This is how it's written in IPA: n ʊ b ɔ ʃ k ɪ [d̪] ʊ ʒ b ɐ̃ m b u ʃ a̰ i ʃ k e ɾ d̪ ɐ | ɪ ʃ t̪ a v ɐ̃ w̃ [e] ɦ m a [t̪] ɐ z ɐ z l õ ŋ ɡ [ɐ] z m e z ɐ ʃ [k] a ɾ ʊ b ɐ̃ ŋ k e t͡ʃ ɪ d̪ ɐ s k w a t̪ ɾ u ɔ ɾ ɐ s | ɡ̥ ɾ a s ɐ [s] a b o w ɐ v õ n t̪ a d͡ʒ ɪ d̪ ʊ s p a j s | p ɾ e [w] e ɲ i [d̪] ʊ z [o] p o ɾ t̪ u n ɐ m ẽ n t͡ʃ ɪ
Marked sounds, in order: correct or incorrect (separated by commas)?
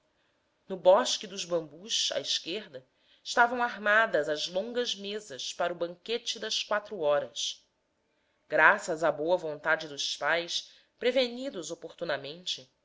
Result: correct, incorrect, incorrect, correct, incorrect, incorrect, incorrect, correct, correct